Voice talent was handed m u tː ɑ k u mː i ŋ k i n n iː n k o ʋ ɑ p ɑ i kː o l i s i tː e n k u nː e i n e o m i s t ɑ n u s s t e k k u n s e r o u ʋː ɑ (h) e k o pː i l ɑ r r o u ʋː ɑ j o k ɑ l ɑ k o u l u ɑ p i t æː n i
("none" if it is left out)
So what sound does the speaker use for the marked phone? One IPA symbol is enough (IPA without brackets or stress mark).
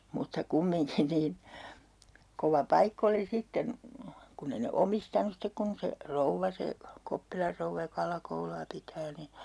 s